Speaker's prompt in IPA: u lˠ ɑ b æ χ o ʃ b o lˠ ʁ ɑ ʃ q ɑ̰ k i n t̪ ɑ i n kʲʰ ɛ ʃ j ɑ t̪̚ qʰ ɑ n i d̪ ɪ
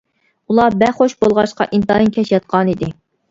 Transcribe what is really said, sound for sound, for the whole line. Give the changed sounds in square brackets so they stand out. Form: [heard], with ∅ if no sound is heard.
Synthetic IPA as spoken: u lˠ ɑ b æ χ o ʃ b o lˠ ʁ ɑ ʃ q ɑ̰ [ʔ] i n t̪ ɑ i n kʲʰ ɛ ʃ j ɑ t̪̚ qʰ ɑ n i d̪ ɪ